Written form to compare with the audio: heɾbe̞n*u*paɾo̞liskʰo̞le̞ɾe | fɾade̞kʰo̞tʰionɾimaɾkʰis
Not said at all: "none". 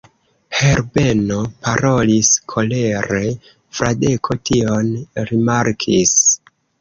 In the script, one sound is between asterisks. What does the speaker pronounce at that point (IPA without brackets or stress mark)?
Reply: o